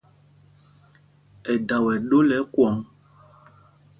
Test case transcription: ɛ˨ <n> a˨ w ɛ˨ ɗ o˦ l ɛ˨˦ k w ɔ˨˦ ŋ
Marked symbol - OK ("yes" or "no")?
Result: no